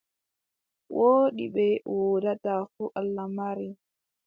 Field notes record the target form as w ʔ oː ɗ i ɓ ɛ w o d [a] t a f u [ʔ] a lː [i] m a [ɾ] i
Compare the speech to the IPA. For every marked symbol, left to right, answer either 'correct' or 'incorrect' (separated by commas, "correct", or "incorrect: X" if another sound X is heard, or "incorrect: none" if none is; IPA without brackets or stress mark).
correct, correct, incorrect: a, correct